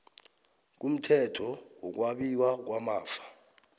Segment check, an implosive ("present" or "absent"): present